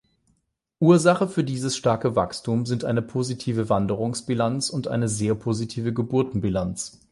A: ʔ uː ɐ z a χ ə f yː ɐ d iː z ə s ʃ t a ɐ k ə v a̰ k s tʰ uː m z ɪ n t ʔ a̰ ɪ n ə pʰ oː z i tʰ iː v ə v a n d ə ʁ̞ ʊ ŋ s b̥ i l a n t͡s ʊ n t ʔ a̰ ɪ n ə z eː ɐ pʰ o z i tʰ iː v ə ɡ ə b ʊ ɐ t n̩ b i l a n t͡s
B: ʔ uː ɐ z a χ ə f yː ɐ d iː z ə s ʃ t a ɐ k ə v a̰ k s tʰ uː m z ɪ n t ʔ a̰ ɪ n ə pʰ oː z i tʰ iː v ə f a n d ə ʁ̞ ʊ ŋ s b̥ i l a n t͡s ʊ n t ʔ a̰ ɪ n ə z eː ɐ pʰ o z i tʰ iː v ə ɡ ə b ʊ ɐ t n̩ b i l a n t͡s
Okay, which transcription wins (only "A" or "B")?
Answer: A